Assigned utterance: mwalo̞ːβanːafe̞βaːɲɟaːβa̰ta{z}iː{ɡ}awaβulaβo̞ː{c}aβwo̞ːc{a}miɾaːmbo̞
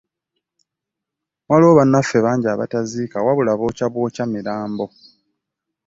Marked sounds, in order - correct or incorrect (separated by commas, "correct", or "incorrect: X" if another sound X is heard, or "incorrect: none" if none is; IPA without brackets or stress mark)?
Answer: correct, incorrect: k, correct, correct